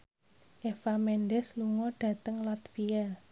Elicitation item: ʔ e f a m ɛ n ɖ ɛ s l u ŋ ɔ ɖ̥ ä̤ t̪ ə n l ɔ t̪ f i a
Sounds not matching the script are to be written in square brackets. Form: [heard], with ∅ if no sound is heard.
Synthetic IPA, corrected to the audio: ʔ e f a m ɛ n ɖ ɛ s l u ŋ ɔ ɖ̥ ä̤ t̪ ə [ŋ] l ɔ t̪ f i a